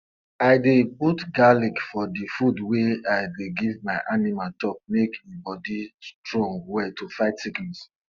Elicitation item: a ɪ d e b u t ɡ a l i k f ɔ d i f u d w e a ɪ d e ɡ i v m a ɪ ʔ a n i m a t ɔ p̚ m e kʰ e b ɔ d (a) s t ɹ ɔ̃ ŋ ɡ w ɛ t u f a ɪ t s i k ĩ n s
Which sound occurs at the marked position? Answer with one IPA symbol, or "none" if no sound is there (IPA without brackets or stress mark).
i